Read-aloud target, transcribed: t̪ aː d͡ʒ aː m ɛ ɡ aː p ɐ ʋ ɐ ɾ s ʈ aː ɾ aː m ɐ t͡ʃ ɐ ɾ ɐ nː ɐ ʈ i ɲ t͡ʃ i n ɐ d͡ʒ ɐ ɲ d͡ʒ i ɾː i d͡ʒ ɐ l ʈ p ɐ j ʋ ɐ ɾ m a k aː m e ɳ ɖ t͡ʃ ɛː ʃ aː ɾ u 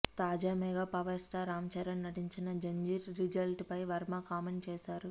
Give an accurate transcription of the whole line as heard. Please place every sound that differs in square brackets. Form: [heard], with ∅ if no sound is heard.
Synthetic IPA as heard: t̪ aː d͡ʒ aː m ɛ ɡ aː p ɐ ʋ ɐ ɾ s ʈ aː ɾ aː m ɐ t͡ʃ ɐ ɾ ɐ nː ɐ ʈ i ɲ t͡ʃ i n ɐ d͡ʒ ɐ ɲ d͡ʒ i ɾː i d͡ʒ ɐ l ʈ p ɐ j ʋ ɐ ɾ m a k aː m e ɳ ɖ t͡ʃ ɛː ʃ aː ɾ u

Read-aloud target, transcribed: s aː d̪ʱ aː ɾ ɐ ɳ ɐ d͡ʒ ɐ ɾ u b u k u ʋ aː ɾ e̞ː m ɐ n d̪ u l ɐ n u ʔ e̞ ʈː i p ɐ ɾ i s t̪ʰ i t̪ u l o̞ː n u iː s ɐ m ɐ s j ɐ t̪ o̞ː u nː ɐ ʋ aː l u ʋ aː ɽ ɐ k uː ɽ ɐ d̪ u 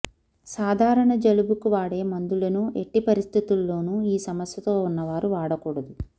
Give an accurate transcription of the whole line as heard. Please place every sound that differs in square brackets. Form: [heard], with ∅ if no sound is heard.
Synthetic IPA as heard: s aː d̪ʱ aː ɾ ɐ ɳ ɐ d͡ʒ ɐ [l] u b u k u ʋ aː [ɽ] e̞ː m ɐ n d̪ u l ɐ n u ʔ e̞ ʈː i p ɐ ɾ i s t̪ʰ i t̪ u [lː] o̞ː n u iː s ɐ m ɐ s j ɐ t̪ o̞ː u nː ɐ ʋ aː [ɾ] u ʋ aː ɽ ɐ k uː ɽ ɐ d̪ u

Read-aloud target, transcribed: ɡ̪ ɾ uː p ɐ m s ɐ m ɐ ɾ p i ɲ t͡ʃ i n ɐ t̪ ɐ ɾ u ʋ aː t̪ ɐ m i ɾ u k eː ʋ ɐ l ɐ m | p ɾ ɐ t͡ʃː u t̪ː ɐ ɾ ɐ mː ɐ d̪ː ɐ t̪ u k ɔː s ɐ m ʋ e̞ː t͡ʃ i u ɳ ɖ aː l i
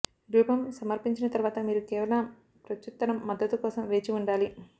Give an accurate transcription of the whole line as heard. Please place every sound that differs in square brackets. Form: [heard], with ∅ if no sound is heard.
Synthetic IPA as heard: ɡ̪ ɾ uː p ɐ m s ɐ m ɐ ɾ p i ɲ t͡ʃ i n ɐ t̪ ɐ ɾ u ʋ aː t̪ ɐ m [iː] ɾ u k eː ʋ ɐ l ɐ m | p ɾ ɐ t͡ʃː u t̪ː ɐ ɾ ɐ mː ɐ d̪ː ɐ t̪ u k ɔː s ɐ m ʋ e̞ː t͡ʃ i u ɳ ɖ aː l i

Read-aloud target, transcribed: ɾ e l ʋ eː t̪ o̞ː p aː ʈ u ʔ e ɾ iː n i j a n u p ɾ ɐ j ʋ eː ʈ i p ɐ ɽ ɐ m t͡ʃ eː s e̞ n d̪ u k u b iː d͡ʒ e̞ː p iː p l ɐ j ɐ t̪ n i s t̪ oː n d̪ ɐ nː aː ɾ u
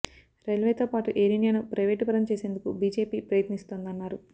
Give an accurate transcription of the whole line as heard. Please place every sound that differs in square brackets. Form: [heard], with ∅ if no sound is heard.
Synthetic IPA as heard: ɾ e l ʋ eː t̪ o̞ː p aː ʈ u ʔ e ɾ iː n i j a n u p ɾ ɐ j ʋ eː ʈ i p ɐ [ɾ] ɐ m t͡ʃ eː s e̞ n d̪ u k u b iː d͡ʒ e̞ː p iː p [ɾ] ɐ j ɐ t̪ n i s t̪ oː n d̪ ɐ nː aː ɾ u

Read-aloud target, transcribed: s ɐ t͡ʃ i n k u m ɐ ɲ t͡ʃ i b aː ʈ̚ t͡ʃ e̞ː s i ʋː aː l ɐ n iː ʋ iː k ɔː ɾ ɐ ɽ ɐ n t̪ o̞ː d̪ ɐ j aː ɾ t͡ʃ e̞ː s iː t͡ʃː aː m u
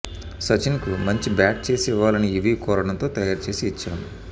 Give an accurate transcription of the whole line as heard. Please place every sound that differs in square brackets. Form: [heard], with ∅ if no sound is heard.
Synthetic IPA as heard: s ɐ t͡ʃ i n k u m ɐ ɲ t͡ʃ i b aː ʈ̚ t͡ʃ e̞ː s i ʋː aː l ɐ n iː ʋ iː k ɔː ɾ ɐ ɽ ɐ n t̪ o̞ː [t̪] ɐ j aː ɾ t͡ʃ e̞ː s iː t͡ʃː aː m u

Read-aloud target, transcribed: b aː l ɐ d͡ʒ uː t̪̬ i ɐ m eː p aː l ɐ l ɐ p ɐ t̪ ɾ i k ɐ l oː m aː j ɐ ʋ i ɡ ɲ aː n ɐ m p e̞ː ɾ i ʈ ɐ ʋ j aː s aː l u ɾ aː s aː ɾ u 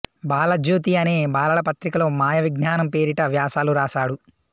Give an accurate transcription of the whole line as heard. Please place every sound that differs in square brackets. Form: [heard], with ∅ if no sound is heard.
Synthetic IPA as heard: b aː l ɐ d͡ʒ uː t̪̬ i ɐ [n] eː [b] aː l ɐ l ɐ p ɐ t̪ ɾ i k ɐ l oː m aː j ɐ ʋ i ɡ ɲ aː n ɐ m p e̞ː ɾ i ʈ ɐ ʋ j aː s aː l u ɾ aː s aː [ɽ] u

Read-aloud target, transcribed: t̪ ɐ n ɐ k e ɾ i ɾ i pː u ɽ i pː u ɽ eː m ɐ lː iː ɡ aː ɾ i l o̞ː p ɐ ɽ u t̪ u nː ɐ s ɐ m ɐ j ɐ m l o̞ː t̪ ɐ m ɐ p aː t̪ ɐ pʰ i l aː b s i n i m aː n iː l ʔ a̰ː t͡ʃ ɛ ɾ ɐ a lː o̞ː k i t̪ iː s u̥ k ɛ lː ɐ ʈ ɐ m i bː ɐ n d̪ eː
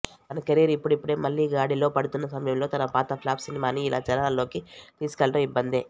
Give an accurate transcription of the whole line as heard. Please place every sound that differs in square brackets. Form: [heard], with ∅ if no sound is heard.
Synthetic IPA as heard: t̪ ɐ n ɐ k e ɾ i ɾ i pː u ɽ i pː u ɽ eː m ɐ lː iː ɡ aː [ɽ] i l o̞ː p ɐ ɽ u t̪ u nː ɐ s ɐ m ɐ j ɐ m l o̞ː t̪ ɐ [n] ɐ p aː t̪ ɐ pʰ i l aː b s i n i m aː n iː l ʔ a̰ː t͡ʃ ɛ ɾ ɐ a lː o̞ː k i t̪ iː s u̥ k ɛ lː ɐ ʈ ɐ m i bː ɐ n d̪ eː

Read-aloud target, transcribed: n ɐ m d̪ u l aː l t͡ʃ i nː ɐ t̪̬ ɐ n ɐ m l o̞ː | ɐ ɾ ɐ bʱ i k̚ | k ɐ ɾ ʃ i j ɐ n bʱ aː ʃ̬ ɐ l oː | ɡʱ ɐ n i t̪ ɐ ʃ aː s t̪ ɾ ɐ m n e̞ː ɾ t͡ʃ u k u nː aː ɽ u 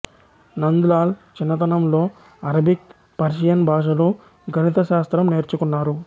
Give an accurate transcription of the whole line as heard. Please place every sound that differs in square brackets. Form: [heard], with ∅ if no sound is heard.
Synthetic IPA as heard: n ɐ [n] d̪ u l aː l t͡ʃ i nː ɐ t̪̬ ɐ n ɐ m l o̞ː | ɐ ɾ ɐ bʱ i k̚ | [p] ɐ ɾ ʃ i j ɐ n bʱ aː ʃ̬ ɐ l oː | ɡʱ ɐ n i t̪ ɐ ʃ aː s t̪ ɾ ɐ m n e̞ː ɾ t͡ʃ u k u nː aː [ɾ] u

